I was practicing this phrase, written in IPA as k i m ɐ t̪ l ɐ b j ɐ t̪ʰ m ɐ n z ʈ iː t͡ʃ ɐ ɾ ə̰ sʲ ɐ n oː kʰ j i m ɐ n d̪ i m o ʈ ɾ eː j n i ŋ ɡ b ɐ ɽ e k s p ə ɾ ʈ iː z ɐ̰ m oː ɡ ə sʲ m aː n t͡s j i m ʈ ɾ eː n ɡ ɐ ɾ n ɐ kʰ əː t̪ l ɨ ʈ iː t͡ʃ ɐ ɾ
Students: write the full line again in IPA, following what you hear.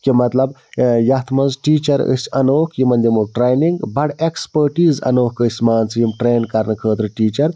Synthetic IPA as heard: k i m ɐ t̪ l ɐ b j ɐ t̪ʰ m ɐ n z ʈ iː t͡ʃ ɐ ɾ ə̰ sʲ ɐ n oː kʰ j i m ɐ n d̪ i m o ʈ ɾ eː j n i ŋ ɡ b ɐ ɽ e k s p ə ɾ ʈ iː z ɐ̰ n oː k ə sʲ m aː n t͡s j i m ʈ ɾ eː n k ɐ ɾ n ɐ kʰ əː t̪ ɾ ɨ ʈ iː t͡ʃ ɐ ɾ